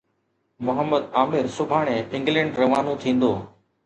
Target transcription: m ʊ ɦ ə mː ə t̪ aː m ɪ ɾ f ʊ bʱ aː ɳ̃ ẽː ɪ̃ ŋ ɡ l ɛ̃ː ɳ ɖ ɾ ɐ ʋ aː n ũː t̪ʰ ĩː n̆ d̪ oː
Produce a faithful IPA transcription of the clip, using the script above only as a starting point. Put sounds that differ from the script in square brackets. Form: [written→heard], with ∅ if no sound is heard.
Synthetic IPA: m ʊ ɦ ə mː ə [t̪→d̪] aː m ɪ ɾ [f→s] ʊ bʱ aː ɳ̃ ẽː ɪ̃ ŋ ɡ l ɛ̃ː ɳ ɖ ɾ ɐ ʋ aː n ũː t̪ʰ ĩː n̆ d̪ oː